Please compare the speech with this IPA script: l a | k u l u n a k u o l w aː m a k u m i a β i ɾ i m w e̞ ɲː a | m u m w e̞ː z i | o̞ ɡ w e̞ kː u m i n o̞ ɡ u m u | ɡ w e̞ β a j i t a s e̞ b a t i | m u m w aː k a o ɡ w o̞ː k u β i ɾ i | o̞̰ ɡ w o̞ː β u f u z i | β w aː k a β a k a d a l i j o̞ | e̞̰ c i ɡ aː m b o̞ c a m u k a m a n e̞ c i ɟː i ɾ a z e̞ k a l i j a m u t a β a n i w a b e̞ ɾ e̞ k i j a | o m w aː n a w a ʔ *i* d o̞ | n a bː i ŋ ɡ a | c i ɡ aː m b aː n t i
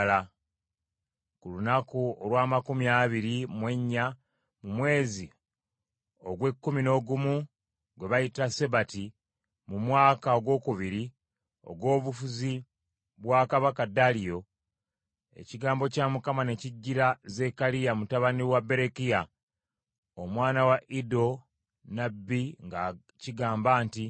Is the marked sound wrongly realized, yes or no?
no